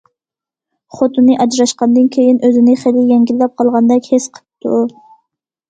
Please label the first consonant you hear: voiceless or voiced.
voiceless